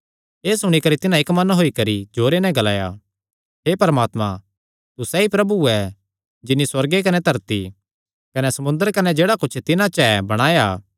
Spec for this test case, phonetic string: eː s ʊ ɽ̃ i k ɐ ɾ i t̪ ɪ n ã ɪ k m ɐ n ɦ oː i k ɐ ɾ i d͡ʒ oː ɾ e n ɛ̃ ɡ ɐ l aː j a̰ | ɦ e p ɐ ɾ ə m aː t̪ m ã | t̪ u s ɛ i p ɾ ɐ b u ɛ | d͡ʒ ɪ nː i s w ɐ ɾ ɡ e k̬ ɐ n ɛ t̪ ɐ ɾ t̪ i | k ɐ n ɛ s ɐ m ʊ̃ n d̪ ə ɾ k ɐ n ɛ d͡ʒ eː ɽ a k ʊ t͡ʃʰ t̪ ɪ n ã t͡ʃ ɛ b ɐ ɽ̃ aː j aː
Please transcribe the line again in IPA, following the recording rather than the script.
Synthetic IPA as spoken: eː s ʊ ɽ̃ i k ɐ ɾ i t̪ ɪ n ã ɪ k m ɐ n ɦ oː i k ɐ ɾ i d͡ʒ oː ɾ e n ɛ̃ ɡ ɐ l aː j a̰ | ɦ e p ɐ ɾ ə m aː t̪ m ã | t̪ u s ɛ i p ɾ ɐ b u ɛ | d͡ʒ ɪ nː i s w ɐ ɾ ɡ e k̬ ɐ n ɛ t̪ ɐ ɾ t̪ i | k ɐ n ɛ s ɐ m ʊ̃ n d̪ ə ɾ k ɐ n ɛ d͡ʒ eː ɽ a k ʊ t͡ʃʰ t̪ ɪ n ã t͡ʃ ɛ b ɐ ɽ̃ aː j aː